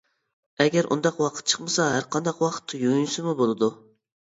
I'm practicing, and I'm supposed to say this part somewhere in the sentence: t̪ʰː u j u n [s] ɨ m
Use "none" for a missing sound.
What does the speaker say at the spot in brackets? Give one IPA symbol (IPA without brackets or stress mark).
s